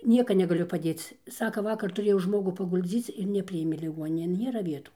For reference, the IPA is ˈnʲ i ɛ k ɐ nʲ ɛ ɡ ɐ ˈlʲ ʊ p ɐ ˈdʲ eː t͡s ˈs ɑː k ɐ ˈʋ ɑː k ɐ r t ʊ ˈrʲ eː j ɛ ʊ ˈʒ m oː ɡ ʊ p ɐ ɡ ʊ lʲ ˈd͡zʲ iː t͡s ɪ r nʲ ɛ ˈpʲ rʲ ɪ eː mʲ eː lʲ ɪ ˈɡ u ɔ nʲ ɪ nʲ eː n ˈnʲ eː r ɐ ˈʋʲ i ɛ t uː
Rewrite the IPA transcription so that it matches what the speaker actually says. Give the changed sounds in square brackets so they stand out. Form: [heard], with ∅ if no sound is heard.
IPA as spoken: ˈnʲ i ɛ k ɐ nʲ ɛ ɡ ɐ ˈlʲ ʊ p ɐ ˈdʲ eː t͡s ˈs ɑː k ɐ ˈʋ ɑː k ɐ r t ʊ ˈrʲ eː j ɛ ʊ ˈʒ m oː ɡ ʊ p ɐ ɡ ʊ lʲ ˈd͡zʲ iː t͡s ɪ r nʲ ɛ ˈpʲ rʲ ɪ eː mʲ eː lʲ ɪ ˈɡ u ɔ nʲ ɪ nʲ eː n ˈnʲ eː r ɐ ˈʋʲ i ɛ t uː